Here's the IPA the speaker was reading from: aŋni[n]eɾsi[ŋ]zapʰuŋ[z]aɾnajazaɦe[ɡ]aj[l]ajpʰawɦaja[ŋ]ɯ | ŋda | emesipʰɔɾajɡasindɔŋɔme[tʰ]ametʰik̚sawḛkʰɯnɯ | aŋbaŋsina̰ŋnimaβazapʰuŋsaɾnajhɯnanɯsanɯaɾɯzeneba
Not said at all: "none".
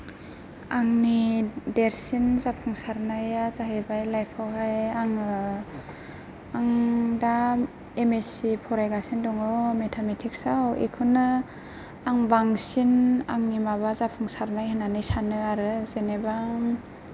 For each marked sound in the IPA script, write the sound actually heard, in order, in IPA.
d, n, s, b, l, ŋ, tʰ

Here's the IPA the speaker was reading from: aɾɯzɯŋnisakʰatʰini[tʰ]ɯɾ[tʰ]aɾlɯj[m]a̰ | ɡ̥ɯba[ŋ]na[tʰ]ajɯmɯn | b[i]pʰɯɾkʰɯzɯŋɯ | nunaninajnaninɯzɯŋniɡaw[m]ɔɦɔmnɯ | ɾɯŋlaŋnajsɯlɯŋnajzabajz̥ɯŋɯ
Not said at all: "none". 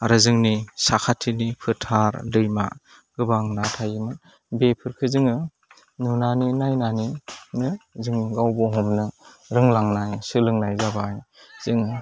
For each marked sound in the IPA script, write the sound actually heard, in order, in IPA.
pʰ, tʰ, m, ŋ, tʰ, e, b

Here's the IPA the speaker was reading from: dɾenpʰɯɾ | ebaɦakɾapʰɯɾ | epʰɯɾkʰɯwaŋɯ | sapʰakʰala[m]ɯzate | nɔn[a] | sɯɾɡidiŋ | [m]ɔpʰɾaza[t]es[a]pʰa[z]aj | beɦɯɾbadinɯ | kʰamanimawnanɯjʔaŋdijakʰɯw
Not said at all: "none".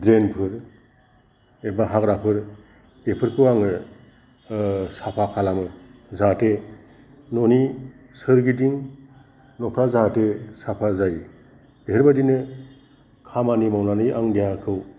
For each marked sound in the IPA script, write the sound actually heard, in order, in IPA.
m, i, n, t, a, z

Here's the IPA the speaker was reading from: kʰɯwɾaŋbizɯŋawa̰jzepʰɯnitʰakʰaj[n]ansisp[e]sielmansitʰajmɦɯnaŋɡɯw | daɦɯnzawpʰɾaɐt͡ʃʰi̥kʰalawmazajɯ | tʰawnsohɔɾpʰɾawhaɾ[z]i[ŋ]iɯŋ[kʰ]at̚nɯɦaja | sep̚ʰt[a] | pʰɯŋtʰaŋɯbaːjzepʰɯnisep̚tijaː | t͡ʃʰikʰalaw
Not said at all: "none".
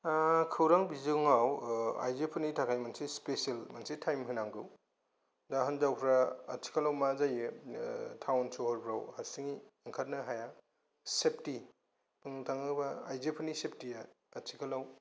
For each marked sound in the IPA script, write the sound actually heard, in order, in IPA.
m, e, s, ŋ, kʰ, i

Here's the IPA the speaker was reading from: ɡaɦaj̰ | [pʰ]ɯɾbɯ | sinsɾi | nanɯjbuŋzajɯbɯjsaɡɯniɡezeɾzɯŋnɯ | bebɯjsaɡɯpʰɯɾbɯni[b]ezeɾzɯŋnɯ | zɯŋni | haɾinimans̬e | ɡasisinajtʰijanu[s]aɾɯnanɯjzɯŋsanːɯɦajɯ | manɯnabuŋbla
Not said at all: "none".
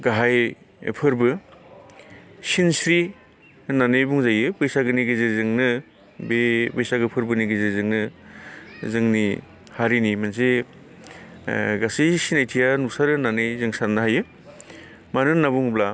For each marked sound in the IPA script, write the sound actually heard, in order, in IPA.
pʰ, ɡ, s

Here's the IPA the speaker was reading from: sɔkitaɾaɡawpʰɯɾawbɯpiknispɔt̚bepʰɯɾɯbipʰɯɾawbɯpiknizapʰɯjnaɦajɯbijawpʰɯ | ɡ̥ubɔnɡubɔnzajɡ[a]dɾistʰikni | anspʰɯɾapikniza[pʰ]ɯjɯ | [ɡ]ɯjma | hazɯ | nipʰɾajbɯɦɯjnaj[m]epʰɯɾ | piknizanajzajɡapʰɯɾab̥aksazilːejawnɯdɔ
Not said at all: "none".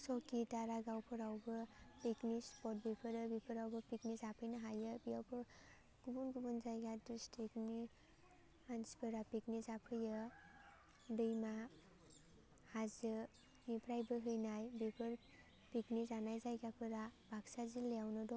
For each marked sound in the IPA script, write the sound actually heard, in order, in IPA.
a, pʰ, d, b

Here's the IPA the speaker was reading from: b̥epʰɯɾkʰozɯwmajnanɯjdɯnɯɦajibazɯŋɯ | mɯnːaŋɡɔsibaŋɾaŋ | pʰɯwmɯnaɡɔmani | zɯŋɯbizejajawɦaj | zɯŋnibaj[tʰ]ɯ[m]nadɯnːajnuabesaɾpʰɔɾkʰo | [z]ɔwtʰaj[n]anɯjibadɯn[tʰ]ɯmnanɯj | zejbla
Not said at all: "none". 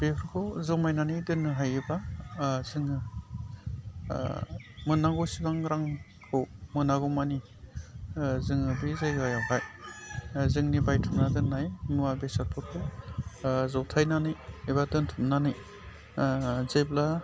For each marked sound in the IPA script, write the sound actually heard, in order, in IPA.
tʰ, m, z, n, tʰ

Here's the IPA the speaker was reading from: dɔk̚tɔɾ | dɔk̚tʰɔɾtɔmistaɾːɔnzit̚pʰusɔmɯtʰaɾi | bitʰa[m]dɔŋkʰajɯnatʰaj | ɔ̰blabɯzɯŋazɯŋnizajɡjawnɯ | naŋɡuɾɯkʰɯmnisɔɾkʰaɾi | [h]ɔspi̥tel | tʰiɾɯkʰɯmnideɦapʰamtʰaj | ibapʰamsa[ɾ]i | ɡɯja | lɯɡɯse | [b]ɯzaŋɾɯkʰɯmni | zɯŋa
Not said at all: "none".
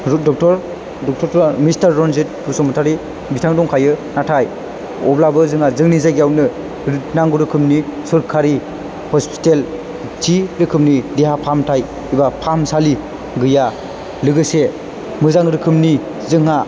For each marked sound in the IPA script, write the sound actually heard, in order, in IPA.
ŋ, h, l, m

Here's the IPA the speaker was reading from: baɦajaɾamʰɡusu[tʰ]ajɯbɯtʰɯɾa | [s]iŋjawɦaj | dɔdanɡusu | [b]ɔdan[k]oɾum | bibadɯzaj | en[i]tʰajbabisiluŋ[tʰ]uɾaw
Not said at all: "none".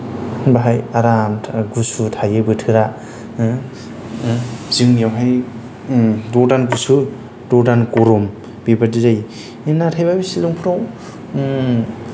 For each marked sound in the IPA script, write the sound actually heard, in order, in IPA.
tʰ, z, d, k, a, pʰ

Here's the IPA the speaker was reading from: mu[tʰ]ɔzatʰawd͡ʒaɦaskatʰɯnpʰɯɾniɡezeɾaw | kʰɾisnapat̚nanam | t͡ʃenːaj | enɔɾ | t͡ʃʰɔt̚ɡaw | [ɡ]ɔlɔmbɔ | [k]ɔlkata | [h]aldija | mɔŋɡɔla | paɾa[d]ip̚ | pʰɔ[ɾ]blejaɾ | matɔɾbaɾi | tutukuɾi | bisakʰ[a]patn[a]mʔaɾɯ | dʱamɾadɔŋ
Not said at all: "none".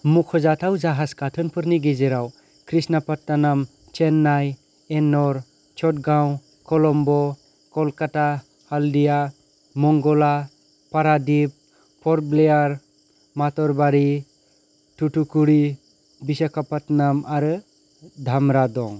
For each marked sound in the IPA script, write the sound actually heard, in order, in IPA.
kʰ, k, k, h, d, ɾ, a, a

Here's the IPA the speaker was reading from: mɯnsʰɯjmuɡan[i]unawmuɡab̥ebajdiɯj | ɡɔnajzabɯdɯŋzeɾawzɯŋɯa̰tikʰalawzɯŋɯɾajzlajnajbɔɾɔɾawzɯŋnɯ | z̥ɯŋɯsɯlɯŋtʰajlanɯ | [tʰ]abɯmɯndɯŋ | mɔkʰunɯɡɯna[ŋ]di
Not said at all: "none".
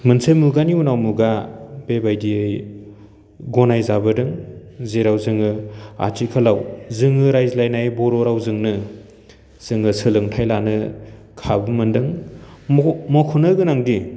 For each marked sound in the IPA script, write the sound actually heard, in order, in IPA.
i, kʰ, ŋ

